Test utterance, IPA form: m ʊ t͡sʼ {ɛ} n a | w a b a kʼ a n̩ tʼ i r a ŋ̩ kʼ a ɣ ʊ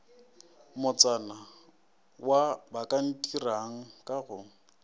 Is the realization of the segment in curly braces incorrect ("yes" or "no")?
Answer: yes